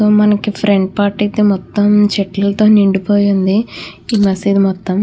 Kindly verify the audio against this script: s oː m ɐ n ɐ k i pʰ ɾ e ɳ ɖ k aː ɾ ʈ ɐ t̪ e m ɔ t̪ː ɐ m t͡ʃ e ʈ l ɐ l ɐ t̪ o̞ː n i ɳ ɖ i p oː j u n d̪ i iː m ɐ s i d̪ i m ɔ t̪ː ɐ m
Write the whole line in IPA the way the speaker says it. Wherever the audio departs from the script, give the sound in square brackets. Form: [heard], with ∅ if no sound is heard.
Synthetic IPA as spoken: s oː m ɐ n ɐ k i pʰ ɾ e ɳ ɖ [p] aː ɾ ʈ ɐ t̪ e m ɔ t̪ː ɐ m t͡ʃ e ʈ l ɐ l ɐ t̪ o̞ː n i ɳ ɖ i p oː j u n d̪ i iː m ɐ s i d̪ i m ɔ t̪ː ɐ m